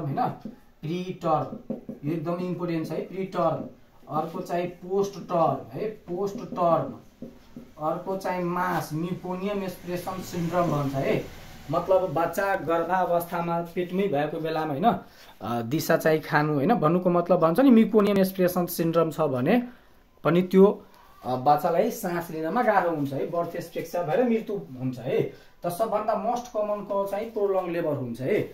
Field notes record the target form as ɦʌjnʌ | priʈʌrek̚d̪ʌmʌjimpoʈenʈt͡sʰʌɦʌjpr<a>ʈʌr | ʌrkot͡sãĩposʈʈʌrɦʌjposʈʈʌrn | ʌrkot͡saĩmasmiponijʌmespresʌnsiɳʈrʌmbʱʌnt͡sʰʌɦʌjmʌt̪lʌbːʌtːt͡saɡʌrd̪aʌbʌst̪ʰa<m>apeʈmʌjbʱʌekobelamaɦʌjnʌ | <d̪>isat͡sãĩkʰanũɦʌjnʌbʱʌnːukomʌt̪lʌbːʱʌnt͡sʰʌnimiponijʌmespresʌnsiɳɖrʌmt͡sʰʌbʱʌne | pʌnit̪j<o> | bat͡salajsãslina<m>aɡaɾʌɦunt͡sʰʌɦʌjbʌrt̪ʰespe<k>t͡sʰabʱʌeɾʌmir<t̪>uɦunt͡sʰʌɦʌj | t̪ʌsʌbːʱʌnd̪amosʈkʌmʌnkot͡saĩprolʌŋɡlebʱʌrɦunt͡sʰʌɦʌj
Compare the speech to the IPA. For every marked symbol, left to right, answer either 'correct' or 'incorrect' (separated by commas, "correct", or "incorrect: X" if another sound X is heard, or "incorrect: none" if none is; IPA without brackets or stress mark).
incorrect: i, correct, correct, correct, correct, correct, correct